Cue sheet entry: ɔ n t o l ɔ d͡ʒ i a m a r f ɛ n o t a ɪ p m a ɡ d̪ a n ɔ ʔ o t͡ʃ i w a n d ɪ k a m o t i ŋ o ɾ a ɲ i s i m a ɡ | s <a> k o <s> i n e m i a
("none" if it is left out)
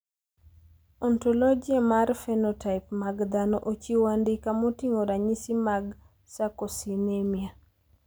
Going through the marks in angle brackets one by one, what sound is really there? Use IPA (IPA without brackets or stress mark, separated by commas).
a, s